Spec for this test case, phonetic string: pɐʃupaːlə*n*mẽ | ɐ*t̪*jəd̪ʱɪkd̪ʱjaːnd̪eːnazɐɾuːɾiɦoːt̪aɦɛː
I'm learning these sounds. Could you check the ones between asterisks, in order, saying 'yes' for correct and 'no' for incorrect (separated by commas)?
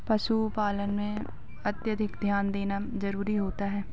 yes, yes